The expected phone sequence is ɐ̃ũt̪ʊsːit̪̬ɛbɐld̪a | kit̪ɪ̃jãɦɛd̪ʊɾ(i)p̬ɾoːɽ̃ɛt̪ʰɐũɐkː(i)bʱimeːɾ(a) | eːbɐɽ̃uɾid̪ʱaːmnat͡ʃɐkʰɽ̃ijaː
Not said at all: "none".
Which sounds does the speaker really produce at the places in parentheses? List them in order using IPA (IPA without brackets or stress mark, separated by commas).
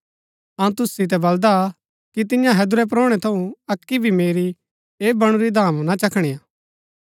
ɛ, i, i